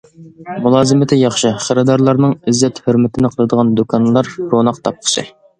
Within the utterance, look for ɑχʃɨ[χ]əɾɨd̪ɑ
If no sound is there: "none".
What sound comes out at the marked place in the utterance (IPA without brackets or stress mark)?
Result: χ